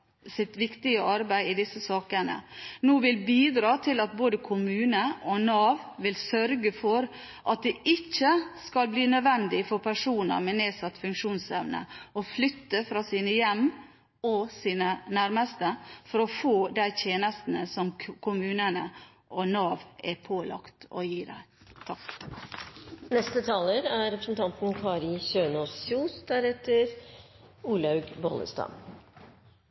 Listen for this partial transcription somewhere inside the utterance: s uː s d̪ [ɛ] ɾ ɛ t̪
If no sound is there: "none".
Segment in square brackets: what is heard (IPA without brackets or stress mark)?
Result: æ